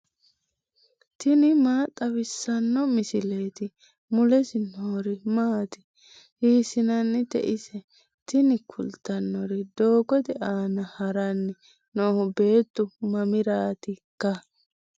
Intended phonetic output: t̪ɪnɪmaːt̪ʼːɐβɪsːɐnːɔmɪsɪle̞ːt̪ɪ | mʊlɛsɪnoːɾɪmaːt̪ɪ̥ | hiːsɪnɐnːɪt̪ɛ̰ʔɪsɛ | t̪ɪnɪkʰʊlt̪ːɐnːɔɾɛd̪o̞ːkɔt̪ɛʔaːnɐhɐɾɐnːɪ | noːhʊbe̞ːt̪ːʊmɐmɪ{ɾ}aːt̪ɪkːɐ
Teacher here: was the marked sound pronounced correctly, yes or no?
yes